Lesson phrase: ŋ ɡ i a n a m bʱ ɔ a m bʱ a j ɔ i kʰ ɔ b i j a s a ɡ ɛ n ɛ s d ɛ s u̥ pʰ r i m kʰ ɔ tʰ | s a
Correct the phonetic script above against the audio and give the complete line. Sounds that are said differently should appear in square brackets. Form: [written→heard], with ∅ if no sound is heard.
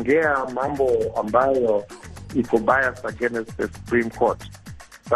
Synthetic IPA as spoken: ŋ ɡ [i→ɛ] a [n→m] a m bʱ ɔ a m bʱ a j ɔ i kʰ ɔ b [i→a] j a s a ɡ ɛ n ɛ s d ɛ s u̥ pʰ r i m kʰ ɔ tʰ | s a